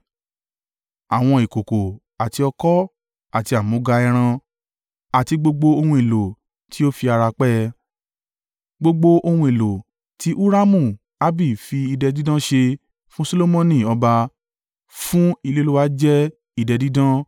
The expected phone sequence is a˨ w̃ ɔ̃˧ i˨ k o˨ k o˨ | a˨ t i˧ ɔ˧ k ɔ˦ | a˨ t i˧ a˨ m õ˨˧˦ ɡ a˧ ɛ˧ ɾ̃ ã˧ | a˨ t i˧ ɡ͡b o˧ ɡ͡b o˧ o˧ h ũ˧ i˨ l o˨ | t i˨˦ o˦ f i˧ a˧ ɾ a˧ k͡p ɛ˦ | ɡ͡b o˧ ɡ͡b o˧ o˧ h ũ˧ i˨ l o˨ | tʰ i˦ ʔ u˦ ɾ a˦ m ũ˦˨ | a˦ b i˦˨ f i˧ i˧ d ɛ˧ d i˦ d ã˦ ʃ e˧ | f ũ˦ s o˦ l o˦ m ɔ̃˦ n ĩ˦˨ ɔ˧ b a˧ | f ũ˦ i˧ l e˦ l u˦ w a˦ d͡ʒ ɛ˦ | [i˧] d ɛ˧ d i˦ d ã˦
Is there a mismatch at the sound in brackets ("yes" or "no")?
no